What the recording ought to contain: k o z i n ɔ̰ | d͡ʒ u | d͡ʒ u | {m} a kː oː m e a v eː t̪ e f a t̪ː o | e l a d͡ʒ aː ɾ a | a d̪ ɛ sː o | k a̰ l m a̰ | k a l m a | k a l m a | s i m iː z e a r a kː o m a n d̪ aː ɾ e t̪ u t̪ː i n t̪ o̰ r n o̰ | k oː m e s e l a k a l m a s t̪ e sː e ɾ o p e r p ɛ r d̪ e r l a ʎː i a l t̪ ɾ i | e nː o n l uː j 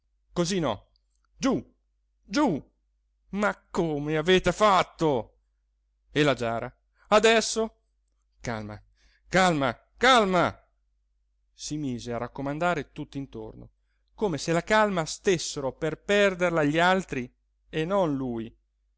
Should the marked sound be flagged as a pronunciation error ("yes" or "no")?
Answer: no